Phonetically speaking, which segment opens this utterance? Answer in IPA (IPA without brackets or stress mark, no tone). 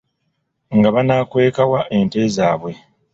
ŋ